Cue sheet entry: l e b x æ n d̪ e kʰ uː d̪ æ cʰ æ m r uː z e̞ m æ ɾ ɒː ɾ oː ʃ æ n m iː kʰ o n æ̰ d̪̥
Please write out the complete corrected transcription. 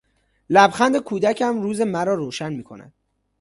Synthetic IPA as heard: l æ b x æ n d̪ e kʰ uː d̪ æ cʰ æ m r uː z e̞ m æ ɾ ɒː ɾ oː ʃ æ n m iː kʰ o n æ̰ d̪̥

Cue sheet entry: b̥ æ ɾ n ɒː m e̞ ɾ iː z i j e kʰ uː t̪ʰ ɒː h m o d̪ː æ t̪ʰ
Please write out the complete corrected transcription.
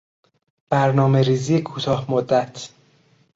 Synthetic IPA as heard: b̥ æ ɾ n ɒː m e̞ ɾ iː z i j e kʰ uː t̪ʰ ɒː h m o d̪ː æ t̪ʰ

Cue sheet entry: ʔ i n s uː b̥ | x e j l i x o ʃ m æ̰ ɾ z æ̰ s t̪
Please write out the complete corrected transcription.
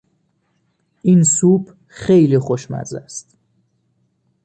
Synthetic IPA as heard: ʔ i n s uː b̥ | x e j l i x o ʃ m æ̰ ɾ z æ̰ s t̪

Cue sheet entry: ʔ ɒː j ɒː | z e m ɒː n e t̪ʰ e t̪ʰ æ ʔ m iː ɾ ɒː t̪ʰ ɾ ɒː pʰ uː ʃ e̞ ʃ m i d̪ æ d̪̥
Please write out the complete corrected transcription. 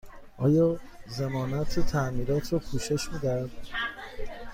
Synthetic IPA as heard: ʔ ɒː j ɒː | z e m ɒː n æ t̪ʰ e t̪ʰ æ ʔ m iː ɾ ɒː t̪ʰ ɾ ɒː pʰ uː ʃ e̞ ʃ m i d̪ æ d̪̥

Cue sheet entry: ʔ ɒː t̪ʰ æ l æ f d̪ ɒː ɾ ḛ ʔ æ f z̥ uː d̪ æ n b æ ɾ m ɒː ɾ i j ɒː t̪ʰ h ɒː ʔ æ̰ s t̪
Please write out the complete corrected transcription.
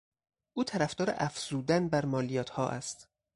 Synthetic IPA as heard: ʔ uː t̪ʰ æ ɾ æ f d̪ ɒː ɾ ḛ ʔ æ f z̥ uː d̪ æ n b æ ɾ m ɒː l i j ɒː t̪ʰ h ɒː ʔ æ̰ s t̪

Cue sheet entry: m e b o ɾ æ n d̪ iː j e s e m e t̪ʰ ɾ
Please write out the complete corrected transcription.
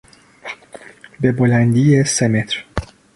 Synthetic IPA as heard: b e b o l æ n d̪ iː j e s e m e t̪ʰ ɾ

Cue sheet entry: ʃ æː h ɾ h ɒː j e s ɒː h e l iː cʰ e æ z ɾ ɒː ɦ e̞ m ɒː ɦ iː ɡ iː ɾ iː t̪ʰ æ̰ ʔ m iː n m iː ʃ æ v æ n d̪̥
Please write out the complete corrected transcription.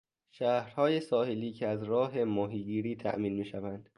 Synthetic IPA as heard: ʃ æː h ɾ h ɒː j e s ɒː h e l iː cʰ e æ z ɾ ɒː ɦ e̞ m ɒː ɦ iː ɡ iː ɾ iː t̪ʰ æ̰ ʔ m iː n m iː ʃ æ v æ n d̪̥

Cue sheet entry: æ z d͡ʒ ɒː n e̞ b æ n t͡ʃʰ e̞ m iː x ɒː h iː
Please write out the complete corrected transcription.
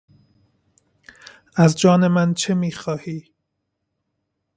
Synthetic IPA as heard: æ z d͡ʒ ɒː n e̞ m æ n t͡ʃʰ e̞ m iː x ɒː h iː

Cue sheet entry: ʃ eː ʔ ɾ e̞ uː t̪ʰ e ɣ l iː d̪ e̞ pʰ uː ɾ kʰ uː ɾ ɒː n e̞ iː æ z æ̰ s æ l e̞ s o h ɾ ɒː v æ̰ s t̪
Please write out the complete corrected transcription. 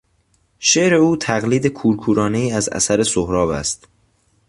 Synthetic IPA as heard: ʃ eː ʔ ɾ e̞ uː t̪ʰ æ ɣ l iː d̪ e̞ kʰ uː ɾ kʰ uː ɾ ɒː n e̞ iː æ z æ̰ s æ ɾ e̞ s o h ɾ ɒː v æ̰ s t̪

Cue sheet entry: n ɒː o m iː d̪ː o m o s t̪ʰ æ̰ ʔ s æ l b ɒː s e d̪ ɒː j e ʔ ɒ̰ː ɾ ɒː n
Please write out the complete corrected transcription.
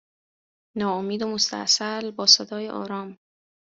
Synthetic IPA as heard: n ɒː o m iː d̪ o m o s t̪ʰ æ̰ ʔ s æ l b ɒː s e d̪ ɒː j e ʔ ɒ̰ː ɾ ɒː m

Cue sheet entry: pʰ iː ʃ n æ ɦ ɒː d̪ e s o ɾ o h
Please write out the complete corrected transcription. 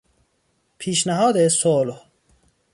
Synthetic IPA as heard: pʰ iː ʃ n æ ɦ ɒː d̪ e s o l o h

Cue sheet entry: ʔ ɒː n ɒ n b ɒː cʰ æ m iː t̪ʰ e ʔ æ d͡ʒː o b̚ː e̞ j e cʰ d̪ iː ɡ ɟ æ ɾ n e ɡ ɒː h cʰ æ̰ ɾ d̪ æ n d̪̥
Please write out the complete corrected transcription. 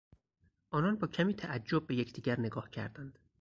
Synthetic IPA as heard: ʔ ɒː n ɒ n b ɒː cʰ æ m iː t̪ʰ æ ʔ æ d͡ʒː o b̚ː e̞ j e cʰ d̪ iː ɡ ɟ æ ɾ n e ɡ ɒː h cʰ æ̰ ɾ d̪ æ n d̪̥

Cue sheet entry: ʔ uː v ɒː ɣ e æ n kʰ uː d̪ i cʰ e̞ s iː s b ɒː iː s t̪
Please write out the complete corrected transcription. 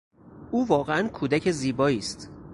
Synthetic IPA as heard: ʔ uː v ɒː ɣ e æ n kʰ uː d̪ æ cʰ e̞ z iː b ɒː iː s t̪

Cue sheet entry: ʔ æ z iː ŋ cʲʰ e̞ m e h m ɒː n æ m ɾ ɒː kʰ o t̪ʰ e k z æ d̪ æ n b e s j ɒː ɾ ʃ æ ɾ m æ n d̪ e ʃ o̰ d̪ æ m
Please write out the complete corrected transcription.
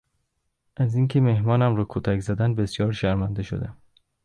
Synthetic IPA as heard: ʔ æ z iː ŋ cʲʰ e̞ m e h m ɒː n æ m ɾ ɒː kʰ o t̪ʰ æ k z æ d̪ æ n b e s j ɒː ɾ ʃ æ ɾ m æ n d̪ e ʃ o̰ d̪ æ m

